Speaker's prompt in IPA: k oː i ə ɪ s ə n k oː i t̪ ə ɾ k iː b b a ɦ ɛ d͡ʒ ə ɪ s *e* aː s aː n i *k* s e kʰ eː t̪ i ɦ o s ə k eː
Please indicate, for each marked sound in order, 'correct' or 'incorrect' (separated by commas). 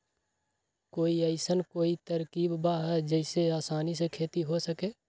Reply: correct, incorrect